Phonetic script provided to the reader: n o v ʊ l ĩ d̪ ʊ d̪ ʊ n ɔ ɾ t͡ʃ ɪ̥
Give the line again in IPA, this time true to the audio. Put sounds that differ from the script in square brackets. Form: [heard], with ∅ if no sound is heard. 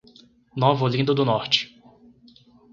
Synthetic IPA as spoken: n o v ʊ l ĩ d̪ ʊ d̪ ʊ n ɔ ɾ t͡ʃ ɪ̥